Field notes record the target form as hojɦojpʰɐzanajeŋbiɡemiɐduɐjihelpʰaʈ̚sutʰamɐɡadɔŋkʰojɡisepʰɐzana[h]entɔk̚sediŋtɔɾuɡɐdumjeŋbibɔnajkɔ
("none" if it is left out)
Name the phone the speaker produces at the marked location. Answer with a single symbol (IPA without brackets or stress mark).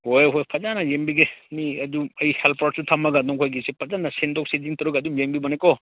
s